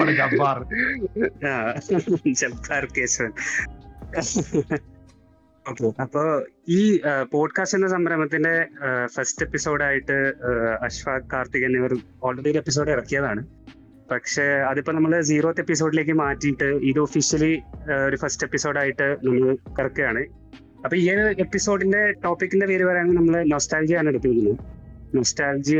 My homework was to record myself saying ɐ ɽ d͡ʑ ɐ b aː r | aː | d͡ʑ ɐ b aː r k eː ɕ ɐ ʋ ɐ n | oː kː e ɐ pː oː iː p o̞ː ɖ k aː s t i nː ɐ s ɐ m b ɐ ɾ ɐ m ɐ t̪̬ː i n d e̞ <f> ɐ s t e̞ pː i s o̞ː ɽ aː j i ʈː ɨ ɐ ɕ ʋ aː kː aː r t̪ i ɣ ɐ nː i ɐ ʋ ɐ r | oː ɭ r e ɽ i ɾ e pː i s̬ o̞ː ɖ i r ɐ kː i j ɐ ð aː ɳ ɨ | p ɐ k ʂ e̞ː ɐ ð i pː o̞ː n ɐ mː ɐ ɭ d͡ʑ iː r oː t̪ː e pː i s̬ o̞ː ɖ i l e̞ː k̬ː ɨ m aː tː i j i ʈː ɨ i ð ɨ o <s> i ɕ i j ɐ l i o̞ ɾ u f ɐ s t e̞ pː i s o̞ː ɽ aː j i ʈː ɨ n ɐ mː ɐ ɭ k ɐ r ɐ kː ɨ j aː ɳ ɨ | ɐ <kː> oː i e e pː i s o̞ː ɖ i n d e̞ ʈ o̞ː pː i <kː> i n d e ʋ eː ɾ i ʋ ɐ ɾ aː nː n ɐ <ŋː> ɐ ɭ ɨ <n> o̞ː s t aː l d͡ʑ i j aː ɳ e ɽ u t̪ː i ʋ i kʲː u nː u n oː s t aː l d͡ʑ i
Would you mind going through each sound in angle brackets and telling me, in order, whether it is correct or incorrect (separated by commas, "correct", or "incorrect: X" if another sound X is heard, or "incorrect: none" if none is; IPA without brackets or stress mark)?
correct, incorrect: f, incorrect: pː, correct, incorrect: mː, correct